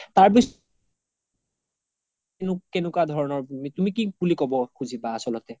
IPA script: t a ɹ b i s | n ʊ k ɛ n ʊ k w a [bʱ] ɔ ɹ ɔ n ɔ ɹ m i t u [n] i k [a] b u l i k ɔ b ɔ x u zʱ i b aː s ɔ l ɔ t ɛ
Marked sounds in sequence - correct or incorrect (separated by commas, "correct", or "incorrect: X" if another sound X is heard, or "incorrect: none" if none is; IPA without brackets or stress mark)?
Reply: incorrect: dʱ, incorrect: m, incorrect: i